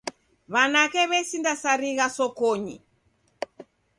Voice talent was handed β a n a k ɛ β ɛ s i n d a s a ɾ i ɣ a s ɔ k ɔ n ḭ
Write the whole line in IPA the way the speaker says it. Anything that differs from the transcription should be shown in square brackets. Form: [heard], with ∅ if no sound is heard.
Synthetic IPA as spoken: β a n a k ɛ β ɛ s i n d a s a ɾ i ɣ a s ɔ k ɔ [ɲ] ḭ